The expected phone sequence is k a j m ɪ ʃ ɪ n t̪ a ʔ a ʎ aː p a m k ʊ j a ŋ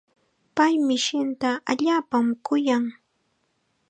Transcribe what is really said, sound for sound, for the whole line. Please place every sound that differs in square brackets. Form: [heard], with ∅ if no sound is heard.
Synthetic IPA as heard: [p] a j m ɪ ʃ ɪ n t̪ a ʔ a ʎ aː p a m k ʊ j a ŋ